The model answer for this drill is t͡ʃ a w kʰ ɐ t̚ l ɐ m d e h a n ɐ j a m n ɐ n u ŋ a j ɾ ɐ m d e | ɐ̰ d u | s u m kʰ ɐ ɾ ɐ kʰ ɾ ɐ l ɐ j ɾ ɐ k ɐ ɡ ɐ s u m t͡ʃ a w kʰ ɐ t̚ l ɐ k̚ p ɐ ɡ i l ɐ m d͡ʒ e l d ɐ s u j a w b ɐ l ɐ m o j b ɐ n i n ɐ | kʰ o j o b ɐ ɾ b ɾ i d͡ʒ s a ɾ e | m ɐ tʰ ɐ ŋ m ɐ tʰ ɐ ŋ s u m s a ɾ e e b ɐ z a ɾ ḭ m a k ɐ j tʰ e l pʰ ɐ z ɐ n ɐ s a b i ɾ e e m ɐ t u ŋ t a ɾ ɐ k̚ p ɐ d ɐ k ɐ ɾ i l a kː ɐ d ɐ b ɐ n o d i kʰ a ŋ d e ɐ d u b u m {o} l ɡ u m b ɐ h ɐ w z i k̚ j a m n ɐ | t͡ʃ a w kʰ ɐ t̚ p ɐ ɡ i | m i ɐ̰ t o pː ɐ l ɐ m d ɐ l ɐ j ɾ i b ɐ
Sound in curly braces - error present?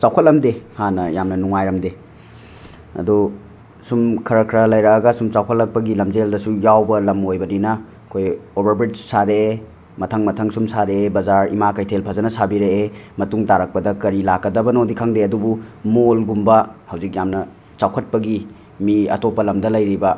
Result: no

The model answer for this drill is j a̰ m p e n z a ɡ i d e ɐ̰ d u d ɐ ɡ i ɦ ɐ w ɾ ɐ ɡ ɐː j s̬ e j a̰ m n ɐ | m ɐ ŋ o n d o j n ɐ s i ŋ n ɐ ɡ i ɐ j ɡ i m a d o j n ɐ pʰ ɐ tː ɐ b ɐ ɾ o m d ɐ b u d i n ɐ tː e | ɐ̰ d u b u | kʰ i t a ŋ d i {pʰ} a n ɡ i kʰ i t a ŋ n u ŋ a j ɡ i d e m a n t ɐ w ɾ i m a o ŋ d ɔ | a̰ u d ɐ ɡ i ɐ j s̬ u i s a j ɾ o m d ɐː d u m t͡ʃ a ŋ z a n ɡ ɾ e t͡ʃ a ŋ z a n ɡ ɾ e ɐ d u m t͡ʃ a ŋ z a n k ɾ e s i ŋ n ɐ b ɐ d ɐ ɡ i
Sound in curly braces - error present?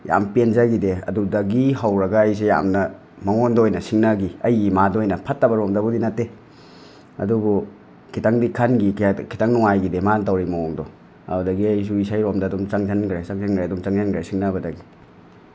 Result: yes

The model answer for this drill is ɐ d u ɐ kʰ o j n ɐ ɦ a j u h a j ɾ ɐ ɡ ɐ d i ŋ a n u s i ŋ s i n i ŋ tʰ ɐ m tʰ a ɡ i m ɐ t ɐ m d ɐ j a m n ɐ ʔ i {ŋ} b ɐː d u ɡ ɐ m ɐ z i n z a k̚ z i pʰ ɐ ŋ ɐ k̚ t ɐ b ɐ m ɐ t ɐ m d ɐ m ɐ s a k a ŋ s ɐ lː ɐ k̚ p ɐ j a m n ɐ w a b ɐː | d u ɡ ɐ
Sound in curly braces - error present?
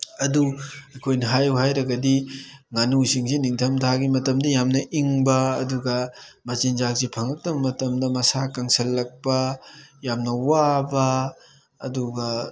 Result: no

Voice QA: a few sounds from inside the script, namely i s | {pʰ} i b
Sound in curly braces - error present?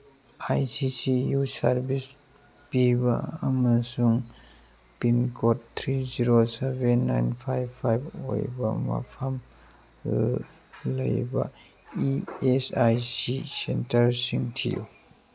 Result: yes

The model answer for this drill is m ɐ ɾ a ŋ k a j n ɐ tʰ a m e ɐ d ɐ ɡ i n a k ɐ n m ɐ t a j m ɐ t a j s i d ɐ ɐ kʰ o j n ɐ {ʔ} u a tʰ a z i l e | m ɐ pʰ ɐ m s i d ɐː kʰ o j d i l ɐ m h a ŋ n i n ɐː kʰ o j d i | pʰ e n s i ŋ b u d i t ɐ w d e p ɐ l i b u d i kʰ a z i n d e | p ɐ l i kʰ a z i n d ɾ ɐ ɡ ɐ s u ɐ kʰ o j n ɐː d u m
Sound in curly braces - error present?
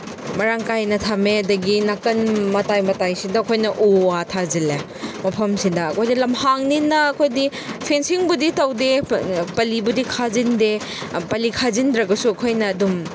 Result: no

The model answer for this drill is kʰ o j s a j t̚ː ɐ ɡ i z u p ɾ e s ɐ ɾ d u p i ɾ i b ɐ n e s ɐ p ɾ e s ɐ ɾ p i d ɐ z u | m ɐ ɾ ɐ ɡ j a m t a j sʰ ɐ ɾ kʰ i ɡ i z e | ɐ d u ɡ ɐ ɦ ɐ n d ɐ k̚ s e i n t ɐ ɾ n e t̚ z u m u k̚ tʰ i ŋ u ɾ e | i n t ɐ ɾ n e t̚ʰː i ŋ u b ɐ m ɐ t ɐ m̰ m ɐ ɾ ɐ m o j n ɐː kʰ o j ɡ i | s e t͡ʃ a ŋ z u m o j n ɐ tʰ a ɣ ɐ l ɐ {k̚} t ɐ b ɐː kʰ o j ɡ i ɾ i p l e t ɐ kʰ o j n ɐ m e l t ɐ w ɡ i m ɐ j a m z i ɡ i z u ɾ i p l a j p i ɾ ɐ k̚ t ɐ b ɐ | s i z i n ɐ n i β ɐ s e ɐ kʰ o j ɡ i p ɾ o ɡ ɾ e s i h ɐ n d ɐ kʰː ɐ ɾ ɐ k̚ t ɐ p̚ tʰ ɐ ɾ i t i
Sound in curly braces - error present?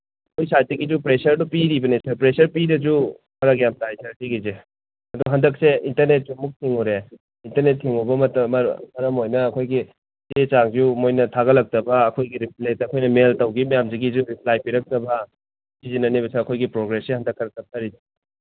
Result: no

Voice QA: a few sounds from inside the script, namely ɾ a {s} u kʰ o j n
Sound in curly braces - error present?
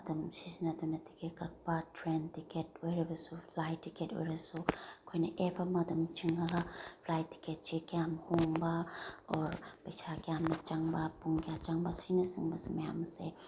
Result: no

